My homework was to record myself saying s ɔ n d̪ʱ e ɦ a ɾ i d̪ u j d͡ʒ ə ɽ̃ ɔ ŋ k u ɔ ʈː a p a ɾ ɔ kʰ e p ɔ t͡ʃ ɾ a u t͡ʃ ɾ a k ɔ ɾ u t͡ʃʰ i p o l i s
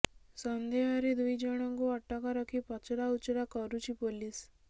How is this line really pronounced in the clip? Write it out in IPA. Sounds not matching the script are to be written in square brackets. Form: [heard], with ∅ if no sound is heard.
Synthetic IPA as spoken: s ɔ n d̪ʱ e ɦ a ɾ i d̪ u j d͡ʒ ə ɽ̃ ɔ ŋ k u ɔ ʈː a [k] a ɾ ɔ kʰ [i] p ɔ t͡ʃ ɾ a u t͡ʃ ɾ a k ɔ ɾ u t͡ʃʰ i p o l i s